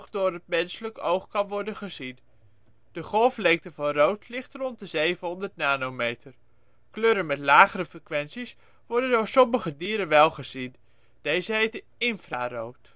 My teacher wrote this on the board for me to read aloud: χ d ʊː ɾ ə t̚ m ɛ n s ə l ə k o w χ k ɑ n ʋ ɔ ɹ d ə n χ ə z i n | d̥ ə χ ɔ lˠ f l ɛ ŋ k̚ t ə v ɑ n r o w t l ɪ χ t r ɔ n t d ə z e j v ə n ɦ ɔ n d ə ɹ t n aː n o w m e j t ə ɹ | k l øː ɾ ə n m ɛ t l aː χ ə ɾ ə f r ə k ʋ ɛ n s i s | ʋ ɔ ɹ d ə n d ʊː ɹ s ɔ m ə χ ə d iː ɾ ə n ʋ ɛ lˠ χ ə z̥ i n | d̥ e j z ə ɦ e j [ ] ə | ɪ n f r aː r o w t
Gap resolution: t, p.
t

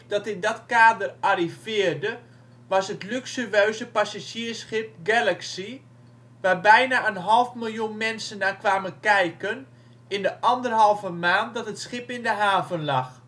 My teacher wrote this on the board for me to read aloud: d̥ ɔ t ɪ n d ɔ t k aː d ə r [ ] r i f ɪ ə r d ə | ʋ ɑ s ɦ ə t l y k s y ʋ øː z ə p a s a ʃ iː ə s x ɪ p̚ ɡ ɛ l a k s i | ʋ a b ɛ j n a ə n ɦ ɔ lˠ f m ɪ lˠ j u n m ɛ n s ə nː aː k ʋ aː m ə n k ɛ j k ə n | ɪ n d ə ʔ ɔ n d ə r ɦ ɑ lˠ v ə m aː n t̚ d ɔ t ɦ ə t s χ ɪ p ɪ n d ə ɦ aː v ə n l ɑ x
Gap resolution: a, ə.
a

